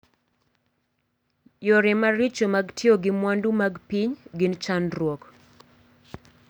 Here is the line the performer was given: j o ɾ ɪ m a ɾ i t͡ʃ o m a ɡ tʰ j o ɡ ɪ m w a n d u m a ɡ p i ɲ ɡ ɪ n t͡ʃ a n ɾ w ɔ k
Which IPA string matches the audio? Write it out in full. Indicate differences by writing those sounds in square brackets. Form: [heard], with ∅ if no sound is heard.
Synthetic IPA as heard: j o ɾ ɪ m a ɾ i t͡ʃ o m a ɡ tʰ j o ɡ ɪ m w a n d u m a ɡ p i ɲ ɡ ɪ n t͡ʃ a n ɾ w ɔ k